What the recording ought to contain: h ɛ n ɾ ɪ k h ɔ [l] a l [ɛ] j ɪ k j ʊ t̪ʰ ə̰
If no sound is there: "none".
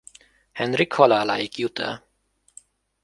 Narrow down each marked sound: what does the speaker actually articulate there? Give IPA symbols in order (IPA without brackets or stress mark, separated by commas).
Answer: l, a